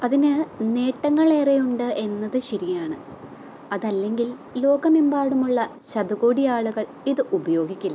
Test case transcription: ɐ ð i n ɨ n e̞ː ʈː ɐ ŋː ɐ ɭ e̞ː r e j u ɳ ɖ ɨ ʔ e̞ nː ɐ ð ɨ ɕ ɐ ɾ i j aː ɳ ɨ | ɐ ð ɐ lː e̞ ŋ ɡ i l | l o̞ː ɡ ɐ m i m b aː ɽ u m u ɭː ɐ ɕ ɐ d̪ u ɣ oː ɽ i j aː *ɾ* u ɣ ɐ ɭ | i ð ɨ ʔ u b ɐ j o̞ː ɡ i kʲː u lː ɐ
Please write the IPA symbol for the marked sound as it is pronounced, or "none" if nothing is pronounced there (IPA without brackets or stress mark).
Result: ɭ